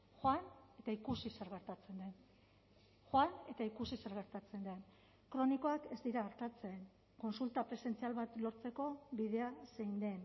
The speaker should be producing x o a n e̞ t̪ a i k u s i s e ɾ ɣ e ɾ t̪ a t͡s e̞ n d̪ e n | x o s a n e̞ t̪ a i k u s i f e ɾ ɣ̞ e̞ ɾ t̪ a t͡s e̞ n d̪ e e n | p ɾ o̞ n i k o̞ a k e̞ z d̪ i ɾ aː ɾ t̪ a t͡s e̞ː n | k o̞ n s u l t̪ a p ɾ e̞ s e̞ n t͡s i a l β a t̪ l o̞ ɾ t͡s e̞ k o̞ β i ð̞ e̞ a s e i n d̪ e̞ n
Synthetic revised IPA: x o a n e̞ t̪ a i k u s i s e ɾ ɣ e ɾ t̪ a t͡s e̞ n d̪ e n | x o a n e̞ t̪ a i k u s i s e ɾ ɣ̞ e̞ ɾ t̪ a t͡s e̞ n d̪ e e n | k ɾ o̞ n i k o̞ a k e̞ z d̪ i ɾ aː ɾ t̪ a t͡s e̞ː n | k o̞ n s u l t̪ a p ɾ e̞ s e̞ n t͡s i a l β a t̪ l o̞ ɾ t͡s e̞ k o̞ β i ð̞ e̞ a s e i n d̪ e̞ n